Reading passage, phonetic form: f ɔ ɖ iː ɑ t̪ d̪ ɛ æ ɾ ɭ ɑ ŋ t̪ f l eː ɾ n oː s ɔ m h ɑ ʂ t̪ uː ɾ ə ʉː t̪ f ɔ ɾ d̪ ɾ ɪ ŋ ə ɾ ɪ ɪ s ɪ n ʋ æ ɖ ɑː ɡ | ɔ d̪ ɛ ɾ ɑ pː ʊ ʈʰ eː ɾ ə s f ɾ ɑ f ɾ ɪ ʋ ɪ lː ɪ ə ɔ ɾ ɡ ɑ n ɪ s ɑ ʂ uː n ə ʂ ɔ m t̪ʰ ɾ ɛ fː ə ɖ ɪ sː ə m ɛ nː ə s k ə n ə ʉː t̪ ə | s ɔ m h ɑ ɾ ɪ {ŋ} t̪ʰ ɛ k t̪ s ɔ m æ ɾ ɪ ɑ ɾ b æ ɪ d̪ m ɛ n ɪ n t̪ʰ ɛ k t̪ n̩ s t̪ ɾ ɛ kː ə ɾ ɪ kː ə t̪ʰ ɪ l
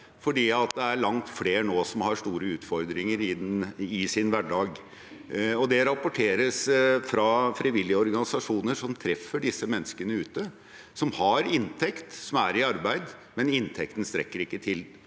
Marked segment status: incorrect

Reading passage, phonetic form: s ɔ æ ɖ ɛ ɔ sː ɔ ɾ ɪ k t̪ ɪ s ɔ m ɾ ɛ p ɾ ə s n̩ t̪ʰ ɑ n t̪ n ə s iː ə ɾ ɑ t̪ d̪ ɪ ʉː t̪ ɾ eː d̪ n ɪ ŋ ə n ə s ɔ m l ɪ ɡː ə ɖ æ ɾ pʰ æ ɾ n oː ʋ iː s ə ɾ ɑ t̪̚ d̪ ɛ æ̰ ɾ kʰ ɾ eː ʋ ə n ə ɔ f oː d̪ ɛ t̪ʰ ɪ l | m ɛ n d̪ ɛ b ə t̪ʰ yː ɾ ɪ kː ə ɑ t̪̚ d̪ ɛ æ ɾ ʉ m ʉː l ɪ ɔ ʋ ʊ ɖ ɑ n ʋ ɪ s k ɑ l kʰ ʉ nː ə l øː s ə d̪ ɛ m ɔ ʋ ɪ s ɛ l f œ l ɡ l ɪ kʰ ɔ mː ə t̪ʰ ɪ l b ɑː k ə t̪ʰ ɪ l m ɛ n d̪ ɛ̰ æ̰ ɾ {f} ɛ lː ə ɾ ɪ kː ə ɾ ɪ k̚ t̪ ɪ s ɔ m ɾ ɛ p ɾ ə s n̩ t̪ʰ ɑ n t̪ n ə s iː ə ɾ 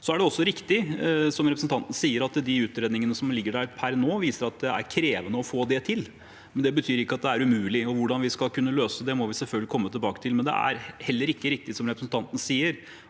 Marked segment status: incorrect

